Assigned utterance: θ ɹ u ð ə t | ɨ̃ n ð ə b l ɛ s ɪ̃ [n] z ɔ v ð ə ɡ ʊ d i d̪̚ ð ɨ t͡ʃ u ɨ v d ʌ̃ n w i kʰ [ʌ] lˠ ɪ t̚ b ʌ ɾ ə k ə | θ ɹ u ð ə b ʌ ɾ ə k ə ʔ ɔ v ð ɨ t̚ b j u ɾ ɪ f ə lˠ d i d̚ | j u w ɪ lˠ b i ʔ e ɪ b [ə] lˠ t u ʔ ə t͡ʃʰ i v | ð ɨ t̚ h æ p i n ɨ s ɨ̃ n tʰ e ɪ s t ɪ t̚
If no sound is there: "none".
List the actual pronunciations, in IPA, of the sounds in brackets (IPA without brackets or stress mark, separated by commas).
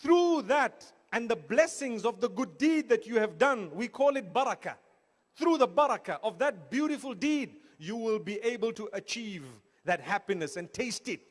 ŋ, ɔ, ə